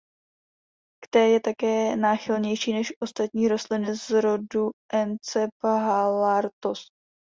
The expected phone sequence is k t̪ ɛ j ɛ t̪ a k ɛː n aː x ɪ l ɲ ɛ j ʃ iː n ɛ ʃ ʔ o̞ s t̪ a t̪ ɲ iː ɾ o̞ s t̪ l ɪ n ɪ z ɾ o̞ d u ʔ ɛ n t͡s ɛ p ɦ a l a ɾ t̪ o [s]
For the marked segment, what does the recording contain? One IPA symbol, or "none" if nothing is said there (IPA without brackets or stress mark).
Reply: s